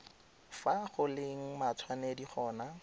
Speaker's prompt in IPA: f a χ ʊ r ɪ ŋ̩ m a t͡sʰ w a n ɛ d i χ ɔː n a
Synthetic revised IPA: f a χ ʊ l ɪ ŋ̩ m a t͡sʰ w a n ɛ d i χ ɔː n a